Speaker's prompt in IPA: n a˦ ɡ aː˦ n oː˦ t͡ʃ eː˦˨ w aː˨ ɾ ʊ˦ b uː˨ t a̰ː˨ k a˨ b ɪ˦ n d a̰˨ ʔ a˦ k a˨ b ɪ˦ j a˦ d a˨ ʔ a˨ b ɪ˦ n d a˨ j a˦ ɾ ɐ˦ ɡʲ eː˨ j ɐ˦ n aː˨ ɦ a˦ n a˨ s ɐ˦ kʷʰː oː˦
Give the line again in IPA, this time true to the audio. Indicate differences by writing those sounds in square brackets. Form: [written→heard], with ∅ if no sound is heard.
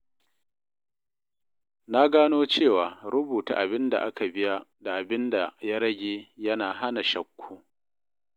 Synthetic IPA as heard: n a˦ ɡ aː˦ n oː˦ t͡ʃ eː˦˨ w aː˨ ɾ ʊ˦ b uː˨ t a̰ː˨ [k→ʔ] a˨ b ɪ˦ n d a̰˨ ʔ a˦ k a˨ b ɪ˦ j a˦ d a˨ ʔ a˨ b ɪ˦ n d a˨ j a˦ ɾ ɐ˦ ɡʲ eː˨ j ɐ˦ n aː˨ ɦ a˦ n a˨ [s→ʃ] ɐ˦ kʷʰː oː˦